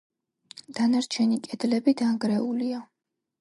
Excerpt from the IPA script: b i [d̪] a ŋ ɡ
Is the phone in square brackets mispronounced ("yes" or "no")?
no